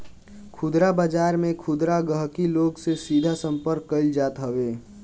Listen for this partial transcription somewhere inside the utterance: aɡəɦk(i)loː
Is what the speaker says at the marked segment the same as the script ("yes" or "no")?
yes